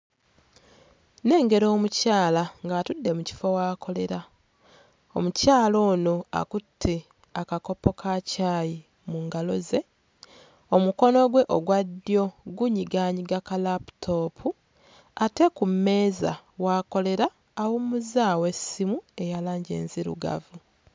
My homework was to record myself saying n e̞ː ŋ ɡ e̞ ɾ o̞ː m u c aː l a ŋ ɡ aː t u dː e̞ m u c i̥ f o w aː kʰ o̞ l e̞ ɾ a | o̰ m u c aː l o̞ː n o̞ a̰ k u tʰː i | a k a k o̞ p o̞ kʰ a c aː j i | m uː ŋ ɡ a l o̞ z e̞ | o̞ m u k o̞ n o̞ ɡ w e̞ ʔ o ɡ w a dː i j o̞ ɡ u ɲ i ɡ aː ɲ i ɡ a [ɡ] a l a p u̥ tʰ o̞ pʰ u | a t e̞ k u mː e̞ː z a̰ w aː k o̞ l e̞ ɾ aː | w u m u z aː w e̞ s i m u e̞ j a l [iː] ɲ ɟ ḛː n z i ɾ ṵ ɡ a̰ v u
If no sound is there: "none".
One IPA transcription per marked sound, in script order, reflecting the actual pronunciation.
k, aː

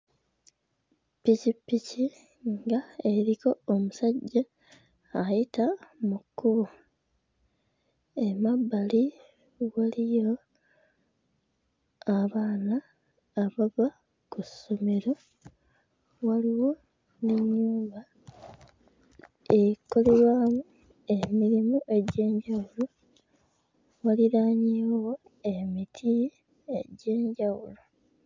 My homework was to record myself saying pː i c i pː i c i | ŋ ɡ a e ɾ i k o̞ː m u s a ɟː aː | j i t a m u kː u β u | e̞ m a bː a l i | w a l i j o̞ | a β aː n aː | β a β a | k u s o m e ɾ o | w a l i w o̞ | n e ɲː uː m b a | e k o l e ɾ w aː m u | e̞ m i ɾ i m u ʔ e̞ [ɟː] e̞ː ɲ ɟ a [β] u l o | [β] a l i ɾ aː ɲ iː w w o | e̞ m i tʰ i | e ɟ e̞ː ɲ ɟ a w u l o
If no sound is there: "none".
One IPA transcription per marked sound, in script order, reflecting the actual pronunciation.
ɟ, w, w

